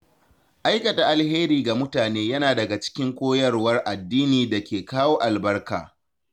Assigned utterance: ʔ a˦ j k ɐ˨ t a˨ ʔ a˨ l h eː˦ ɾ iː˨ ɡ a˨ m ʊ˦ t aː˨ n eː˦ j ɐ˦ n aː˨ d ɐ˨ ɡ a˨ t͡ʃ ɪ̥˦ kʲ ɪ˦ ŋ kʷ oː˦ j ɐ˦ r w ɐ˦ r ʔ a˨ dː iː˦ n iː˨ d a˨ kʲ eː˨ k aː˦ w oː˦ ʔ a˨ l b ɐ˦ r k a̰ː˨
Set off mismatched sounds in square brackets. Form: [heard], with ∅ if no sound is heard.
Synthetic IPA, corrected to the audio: ʔ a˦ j k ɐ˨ t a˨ ʔ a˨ l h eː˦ ɾ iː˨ ɡ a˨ m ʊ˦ t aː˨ n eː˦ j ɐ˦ n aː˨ d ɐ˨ ɡ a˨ t͡ʃ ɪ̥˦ kʲ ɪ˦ ŋ kʷ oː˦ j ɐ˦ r w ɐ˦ r ʔ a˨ dː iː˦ n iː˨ d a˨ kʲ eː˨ k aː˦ w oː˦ ʔ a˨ l b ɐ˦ r k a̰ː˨

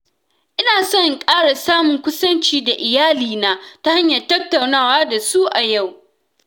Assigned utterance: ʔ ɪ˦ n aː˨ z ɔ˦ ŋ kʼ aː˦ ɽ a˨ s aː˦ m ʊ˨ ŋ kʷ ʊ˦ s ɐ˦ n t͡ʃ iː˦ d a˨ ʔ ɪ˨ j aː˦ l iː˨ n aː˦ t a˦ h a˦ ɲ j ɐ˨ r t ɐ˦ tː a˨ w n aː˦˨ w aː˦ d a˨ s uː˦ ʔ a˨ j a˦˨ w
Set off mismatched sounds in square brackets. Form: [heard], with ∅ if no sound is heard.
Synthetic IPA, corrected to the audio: ʔ ɪ˦ n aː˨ [s] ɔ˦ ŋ kʼ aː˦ ɽ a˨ s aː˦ m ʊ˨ ŋ kʷ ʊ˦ s ɐ˦ n t͡ʃ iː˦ d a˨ ʔ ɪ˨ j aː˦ l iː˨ n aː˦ t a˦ h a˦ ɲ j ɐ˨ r t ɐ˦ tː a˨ w n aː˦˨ w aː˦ d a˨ s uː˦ ʔ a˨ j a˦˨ w

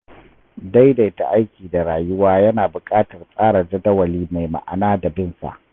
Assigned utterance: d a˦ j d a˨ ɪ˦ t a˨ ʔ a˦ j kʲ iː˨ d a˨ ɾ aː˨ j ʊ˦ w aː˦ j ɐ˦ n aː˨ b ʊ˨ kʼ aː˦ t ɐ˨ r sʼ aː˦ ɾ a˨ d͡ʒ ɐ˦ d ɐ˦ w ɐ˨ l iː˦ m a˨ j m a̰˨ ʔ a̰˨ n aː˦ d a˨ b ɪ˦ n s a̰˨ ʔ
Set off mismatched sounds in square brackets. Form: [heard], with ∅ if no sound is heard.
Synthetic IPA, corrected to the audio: d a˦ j d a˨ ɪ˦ t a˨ ʔ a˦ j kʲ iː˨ d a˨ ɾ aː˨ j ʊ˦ w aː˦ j ɐ˦ n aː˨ b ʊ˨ kʼ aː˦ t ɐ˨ r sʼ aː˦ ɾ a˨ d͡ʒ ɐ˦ d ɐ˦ w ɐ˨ l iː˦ m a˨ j m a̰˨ ʔ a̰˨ n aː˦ d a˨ b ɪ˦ n s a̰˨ ʔ

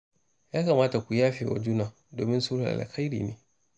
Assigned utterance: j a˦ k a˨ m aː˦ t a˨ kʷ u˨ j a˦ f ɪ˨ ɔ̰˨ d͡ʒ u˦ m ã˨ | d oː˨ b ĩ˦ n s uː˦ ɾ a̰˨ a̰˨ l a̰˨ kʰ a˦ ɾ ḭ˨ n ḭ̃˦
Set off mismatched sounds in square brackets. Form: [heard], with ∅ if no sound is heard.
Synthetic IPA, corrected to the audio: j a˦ k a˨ m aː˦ t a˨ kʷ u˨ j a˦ f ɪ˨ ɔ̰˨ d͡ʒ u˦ [n] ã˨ | d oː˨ [m] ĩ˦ n s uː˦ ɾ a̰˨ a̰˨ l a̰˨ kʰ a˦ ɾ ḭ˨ n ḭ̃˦

